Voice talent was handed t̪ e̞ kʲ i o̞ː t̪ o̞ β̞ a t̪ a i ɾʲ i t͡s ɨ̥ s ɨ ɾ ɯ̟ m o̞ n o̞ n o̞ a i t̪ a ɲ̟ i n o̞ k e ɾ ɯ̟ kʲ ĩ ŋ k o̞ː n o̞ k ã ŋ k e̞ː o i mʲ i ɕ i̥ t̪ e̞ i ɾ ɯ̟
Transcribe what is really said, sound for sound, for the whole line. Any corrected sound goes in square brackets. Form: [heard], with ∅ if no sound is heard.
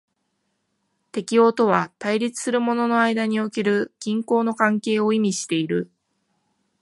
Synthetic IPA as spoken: t̪ e̞ kʲ i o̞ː t̪ o̞ β̞ a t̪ a i ɾʲ i t͡s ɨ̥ s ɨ ɾ ɯ̟ m o̞ n o̞ n o̞ a i [d̪] a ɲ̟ i [∅] o̞ k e ɾ ɯ̟ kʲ ĩ ŋ k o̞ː n o̞ k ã ŋ k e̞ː o i mʲ i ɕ i̥ t̪ e̞ i ɾ ɯ̟